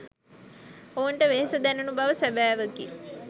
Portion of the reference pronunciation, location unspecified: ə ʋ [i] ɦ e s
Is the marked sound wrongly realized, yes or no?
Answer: yes